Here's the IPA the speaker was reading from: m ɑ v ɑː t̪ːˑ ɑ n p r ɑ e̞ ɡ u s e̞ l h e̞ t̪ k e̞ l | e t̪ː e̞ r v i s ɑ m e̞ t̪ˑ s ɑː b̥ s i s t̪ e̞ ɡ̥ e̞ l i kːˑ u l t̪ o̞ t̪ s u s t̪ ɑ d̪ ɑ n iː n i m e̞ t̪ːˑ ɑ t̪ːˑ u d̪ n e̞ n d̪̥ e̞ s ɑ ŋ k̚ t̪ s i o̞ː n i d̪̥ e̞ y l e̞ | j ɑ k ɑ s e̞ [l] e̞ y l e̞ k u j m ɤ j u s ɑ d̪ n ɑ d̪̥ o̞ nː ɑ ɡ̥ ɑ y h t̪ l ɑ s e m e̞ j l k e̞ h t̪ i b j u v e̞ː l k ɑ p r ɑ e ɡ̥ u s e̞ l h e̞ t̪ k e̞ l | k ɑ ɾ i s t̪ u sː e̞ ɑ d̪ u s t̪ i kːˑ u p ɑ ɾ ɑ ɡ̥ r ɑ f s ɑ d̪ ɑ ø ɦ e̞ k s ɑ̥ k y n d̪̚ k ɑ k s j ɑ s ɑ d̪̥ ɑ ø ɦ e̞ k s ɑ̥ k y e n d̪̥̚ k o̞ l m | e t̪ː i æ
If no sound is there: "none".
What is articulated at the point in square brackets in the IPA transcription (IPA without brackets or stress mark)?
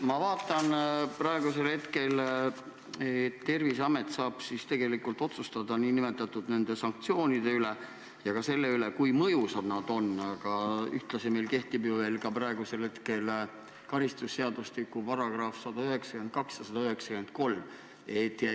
lː